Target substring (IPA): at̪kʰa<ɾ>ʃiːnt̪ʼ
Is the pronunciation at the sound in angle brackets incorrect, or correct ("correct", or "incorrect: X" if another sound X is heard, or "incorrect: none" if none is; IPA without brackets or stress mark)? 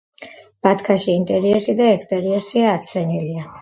incorrect: none